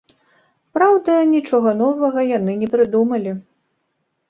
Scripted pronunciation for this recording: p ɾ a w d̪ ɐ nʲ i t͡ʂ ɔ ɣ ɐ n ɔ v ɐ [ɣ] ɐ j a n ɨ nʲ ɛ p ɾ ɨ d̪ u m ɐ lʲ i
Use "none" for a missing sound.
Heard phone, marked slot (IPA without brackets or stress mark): ɣ